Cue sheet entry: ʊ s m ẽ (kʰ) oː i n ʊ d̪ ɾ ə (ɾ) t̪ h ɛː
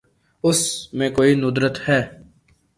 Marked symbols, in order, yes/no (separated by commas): no, no